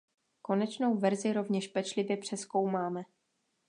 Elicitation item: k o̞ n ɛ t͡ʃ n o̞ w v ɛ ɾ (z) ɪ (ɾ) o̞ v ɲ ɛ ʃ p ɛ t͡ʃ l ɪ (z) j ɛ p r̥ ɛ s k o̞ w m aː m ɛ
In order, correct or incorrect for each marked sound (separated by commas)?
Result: correct, correct, incorrect